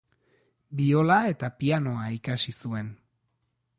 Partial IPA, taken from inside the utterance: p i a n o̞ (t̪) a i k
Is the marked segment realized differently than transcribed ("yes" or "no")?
yes